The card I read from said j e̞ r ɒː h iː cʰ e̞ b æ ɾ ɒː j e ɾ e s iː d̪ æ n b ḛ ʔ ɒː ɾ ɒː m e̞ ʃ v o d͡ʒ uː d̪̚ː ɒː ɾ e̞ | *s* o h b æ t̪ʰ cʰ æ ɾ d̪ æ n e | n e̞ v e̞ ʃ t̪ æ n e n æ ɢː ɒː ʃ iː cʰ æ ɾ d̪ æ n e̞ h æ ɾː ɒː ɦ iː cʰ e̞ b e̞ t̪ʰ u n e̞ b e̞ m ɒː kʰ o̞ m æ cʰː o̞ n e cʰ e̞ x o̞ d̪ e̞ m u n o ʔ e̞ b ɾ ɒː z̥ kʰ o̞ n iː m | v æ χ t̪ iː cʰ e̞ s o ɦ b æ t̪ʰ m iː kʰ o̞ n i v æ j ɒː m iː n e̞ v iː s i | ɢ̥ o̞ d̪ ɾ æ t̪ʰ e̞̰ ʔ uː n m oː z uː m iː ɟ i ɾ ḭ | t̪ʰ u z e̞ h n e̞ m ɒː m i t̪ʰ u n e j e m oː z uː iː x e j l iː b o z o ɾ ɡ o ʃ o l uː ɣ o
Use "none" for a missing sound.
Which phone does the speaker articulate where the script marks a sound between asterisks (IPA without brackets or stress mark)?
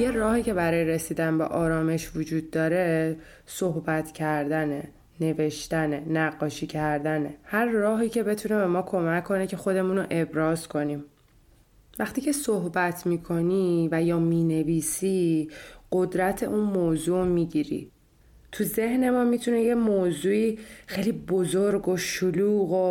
s